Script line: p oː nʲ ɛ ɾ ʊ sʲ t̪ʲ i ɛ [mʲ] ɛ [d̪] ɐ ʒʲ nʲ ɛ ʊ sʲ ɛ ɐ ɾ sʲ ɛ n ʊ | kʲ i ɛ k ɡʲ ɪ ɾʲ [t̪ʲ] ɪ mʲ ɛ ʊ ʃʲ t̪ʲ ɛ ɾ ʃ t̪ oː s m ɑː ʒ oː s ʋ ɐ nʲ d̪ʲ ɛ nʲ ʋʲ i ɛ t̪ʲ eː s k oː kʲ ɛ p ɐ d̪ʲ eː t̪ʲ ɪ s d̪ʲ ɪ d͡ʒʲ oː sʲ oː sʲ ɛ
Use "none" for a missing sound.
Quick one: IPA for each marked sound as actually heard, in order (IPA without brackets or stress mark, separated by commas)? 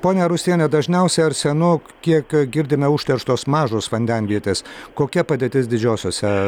nʲ, d̪, d̪ʲ